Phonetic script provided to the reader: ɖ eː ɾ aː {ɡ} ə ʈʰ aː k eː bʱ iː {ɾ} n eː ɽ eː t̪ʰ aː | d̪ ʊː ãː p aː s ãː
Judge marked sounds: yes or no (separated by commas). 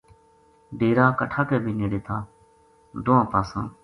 no, no